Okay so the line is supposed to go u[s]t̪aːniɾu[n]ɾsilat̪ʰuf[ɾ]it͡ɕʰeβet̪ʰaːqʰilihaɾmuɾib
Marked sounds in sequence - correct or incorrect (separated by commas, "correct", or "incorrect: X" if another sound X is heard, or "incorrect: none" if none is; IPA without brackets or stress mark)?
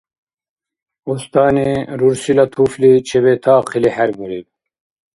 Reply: correct, incorrect: none, incorrect: l